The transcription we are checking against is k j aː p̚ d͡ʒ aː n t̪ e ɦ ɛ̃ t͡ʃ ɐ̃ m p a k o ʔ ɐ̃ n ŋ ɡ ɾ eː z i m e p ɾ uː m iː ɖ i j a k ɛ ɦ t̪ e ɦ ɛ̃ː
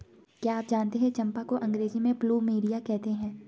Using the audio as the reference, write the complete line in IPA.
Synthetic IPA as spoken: k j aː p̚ d͡ʒ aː n t̪ e ɦ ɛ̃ t͡ʃ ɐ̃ m p a k o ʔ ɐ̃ ŋ ɡ ɾ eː z i m ẽ p l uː m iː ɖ i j a k ɛ ɦ t̪ e ɦ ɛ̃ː